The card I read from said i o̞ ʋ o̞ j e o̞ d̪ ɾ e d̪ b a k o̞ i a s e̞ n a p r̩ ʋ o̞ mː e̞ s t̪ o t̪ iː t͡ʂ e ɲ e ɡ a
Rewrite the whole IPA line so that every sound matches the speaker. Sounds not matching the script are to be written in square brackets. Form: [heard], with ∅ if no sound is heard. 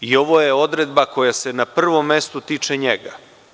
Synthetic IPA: i o̞ ʋ o̞ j e o̞ d̪ ɾ e d̪ b a k o̞ [j] a s e̞ n a p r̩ ʋ o̞ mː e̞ s t̪ [u] t̪ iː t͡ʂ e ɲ e ɡ a